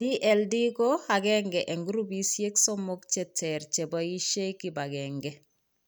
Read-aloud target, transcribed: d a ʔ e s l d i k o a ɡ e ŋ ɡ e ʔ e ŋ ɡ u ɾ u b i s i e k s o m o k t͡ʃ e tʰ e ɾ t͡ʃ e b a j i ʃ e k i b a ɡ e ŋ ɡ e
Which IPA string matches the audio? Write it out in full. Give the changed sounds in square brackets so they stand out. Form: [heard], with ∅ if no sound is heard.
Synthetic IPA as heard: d [i] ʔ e [∅] l d i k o a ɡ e ŋ ɡ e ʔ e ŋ ɡ u ɾ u b i s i e k s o m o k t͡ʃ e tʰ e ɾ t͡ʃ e b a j i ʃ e k i b a ɡ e ŋ ɡ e